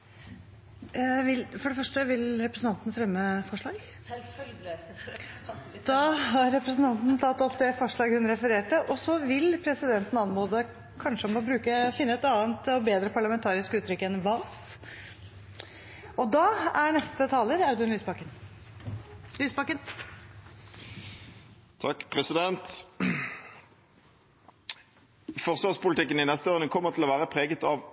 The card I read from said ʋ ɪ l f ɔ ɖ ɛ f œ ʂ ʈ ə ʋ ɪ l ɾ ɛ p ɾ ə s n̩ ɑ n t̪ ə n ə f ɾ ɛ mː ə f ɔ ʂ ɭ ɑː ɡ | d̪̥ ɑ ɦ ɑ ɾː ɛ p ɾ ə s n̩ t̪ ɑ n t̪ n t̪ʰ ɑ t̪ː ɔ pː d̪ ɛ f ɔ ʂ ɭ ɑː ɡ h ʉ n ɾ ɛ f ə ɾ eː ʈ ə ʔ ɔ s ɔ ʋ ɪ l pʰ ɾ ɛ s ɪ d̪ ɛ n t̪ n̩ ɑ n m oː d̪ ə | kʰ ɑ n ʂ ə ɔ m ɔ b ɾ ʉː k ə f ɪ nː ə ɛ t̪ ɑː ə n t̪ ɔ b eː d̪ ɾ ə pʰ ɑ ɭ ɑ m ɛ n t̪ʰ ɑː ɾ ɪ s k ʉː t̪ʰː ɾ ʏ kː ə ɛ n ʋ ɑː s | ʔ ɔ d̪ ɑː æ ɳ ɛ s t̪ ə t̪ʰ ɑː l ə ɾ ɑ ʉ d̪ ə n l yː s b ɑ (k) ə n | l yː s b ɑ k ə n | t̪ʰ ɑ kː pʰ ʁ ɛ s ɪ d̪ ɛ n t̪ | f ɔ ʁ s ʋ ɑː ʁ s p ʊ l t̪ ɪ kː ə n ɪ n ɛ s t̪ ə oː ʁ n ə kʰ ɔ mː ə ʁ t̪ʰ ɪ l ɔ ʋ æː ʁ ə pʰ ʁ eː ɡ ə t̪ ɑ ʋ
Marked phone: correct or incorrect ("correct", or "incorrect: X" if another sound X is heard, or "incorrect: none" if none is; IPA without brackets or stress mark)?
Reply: correct